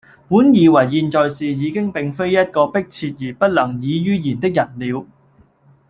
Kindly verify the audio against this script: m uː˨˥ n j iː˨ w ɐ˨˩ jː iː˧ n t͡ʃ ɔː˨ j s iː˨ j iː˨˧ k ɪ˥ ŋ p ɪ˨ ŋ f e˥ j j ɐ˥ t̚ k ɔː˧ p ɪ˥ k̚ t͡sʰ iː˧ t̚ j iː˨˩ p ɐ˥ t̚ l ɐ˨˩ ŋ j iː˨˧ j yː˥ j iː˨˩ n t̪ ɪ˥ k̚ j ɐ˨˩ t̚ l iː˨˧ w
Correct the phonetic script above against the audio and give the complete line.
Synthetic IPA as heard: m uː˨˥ n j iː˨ w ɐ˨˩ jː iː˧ n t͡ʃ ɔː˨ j s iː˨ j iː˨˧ k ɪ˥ ŋ p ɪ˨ ŋ f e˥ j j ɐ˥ t̚ k ɔː˧ p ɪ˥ k̚ t͡sʰ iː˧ t̚ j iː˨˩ p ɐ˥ t̚ l ɐ˨˩ ŋ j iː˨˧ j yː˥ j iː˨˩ n t̪ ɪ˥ k̚ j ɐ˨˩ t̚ l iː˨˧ w